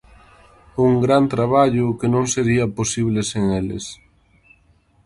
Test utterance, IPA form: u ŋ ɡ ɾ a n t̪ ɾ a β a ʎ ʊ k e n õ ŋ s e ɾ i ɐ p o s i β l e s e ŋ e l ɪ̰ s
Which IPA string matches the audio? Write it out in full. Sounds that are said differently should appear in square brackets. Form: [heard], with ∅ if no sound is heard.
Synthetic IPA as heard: u ŋ ɡ ɾ a n t̪ ɾ a β a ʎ ʊ k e n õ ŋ s e ɾ i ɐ p o s i β l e s e ŋ e l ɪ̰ s